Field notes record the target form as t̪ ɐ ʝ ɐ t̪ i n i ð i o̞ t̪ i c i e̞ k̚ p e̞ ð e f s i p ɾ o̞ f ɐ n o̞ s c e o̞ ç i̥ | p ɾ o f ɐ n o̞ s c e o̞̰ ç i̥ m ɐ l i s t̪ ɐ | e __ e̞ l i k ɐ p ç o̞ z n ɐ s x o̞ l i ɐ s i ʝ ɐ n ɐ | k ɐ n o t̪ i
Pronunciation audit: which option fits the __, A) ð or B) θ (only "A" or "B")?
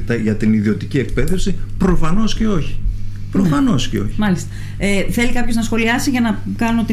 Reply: B